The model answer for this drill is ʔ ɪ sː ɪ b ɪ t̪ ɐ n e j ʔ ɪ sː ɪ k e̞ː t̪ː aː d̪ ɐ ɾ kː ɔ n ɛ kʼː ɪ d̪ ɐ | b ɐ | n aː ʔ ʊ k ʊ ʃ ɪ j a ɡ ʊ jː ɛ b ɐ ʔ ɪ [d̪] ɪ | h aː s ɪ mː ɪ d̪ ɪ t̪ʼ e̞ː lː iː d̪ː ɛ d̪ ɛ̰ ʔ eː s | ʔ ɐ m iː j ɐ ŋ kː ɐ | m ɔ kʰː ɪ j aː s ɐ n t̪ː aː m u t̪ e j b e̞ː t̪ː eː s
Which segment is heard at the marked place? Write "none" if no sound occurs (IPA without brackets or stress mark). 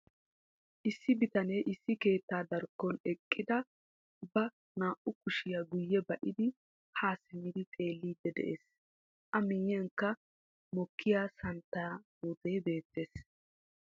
d̪